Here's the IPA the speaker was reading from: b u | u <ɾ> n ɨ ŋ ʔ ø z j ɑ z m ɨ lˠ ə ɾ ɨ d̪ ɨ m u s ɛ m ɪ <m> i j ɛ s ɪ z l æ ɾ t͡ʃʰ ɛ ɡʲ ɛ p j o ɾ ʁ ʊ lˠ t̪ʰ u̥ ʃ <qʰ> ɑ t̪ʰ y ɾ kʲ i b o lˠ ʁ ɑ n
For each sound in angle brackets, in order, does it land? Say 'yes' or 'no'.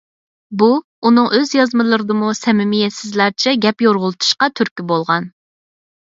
no, yes, no

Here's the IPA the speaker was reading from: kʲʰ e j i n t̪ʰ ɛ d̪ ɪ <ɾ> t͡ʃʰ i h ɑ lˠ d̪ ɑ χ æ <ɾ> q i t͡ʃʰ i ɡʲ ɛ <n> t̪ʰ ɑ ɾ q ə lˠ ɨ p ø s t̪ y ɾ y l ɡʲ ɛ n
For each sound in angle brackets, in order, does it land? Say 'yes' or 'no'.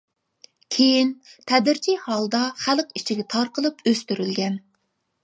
yes, no, no

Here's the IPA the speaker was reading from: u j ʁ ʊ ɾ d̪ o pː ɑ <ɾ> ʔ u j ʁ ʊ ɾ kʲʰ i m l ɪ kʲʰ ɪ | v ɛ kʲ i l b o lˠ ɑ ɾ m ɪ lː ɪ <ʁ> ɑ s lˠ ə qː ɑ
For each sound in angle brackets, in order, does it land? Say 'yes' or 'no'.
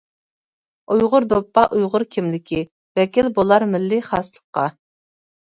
no, no

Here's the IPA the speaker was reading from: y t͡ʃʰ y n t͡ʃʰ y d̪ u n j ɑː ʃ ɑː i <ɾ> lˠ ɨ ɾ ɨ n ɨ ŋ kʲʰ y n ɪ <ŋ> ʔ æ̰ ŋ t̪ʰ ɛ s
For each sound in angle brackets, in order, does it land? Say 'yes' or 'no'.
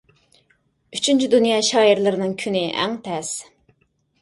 yes, no

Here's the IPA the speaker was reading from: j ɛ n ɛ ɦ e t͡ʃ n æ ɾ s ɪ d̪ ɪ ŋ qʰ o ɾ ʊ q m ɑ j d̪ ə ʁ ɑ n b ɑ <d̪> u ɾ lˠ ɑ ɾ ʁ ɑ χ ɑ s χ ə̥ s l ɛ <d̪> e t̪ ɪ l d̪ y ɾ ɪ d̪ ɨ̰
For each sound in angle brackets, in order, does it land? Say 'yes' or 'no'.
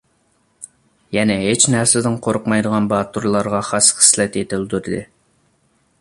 no, no

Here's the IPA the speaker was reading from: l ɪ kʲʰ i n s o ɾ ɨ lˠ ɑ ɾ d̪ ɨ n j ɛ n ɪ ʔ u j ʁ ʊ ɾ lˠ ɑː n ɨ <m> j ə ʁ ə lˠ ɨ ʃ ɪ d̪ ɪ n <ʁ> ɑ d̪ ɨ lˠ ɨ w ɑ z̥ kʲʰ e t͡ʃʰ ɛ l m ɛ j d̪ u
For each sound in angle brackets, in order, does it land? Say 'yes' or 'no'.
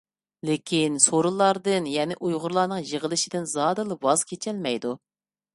no, no

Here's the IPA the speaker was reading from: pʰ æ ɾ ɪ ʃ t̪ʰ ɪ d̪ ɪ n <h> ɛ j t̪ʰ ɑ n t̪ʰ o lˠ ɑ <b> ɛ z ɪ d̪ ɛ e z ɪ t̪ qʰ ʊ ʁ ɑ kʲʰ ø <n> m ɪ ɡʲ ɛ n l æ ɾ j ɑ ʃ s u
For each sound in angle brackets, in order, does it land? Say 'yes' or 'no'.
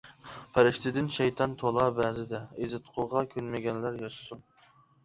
no, yes, yes

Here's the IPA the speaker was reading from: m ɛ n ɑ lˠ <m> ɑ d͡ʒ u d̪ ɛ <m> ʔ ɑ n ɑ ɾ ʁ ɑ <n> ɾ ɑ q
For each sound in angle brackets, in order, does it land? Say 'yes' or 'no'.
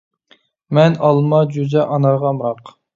yes, no, no

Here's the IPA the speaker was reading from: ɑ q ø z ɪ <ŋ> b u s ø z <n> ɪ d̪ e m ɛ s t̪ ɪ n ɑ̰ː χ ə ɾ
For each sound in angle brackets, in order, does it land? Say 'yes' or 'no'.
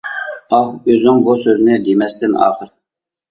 yes, yes

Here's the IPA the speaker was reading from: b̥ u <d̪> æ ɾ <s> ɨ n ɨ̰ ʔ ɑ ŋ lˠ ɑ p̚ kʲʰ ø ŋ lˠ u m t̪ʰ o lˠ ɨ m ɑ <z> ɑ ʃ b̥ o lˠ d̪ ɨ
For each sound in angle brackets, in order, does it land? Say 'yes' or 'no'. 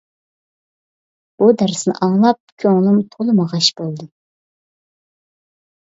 yes, yes, no

